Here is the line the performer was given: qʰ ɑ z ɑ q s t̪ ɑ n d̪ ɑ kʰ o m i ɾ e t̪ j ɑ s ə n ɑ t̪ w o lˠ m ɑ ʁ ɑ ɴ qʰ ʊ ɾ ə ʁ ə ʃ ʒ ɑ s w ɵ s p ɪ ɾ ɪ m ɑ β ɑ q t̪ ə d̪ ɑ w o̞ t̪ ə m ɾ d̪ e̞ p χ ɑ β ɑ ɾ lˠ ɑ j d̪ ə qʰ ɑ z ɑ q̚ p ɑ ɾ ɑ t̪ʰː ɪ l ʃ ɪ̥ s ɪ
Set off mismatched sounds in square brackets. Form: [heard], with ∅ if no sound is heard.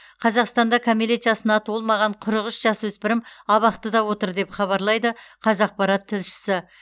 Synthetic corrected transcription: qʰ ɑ z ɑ q s t̪ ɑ n d̪ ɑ kʰ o m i [l] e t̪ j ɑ s ə n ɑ t̪ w o lˠ m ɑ ʁ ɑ ɴ qʰ ʊ ɾ ə ʁ ə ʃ ʒ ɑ s w ɵ s p ɪ ɾ ɪ m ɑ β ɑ q t̪ ə d̪ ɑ w o̞ t̪ ə [∅] ɾ d̪ e̞ p χ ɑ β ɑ ɾ lˠ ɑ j d̪ ə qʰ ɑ z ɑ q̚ p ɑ ɾ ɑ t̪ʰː ɪ l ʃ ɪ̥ s ɪ